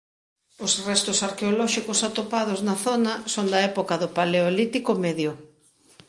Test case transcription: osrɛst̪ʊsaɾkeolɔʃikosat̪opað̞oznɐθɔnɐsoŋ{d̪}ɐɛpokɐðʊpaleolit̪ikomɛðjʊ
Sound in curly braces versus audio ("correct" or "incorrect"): correct